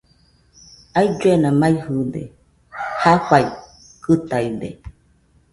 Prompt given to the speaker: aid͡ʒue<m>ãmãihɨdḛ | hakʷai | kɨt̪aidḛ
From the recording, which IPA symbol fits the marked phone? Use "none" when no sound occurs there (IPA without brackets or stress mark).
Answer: n